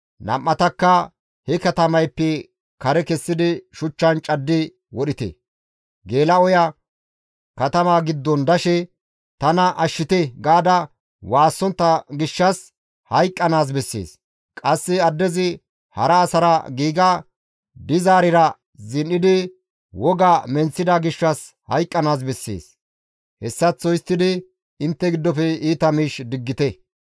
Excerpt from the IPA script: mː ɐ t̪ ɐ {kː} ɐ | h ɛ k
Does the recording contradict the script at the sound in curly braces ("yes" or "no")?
no